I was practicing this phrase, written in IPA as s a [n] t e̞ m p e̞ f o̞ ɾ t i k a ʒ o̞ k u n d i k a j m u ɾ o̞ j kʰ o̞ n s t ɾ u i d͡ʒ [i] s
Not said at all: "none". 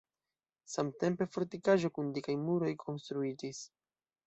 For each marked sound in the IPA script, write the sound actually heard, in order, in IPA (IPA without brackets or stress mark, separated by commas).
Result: m, i